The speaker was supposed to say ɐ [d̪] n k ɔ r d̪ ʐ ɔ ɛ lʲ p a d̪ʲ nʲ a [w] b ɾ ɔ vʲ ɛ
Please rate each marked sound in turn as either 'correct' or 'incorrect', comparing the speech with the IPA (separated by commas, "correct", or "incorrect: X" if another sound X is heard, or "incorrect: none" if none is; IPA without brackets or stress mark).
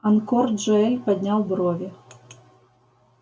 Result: incorrect: none, correct